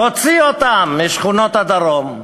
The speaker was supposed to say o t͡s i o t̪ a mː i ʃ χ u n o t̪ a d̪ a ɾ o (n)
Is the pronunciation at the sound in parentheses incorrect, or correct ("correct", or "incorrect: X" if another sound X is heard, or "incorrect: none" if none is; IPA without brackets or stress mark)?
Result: incorrect: m